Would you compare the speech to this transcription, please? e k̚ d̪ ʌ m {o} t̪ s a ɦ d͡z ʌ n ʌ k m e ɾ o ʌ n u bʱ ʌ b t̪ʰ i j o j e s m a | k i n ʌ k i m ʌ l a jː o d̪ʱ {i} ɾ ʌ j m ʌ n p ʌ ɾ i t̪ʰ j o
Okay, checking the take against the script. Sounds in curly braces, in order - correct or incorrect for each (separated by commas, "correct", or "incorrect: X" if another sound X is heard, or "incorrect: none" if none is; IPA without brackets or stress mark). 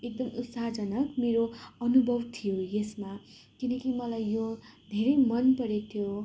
incorrect: u, incorrect: e